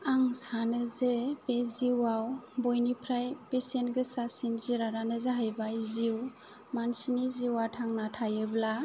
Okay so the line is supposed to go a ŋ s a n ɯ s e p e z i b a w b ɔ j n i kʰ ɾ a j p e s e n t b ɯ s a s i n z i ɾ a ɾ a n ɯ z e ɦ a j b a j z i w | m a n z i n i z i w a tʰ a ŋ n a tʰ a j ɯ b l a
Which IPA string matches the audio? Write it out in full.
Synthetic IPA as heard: a ŋ s a n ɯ z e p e z i w a w b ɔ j n i pʰ ɾ a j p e s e n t ɡ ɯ s a s i n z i ɾ a ɾ a n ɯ z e ɦ a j b a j z i w | m a n s i n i z i w a tʰ a ŋ n a tʰ a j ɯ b l a